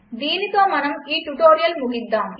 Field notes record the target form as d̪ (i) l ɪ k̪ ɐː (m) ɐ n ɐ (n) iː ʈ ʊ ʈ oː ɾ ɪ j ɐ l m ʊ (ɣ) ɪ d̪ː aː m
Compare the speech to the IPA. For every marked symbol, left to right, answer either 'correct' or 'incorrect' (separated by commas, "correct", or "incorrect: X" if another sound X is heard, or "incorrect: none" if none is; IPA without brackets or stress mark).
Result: incorrect: iː, correct, incorrect: m, correct